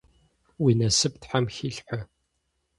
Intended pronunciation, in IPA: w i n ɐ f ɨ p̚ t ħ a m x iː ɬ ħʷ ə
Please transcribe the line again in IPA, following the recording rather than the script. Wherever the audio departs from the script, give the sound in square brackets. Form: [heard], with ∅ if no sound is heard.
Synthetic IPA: w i n ɐ [s] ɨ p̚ t ħ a m x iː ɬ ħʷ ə